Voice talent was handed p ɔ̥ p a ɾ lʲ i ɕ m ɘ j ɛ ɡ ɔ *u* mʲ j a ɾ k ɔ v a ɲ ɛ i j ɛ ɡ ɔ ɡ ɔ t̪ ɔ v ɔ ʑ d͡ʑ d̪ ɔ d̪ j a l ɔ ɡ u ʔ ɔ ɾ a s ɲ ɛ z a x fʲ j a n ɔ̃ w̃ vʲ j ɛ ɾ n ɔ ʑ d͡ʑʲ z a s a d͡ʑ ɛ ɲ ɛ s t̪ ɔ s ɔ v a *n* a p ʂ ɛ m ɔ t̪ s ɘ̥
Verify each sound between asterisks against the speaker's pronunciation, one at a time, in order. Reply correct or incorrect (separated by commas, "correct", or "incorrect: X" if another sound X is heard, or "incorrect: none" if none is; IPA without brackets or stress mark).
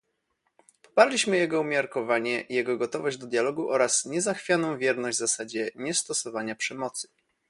correct, incorrect: ɲ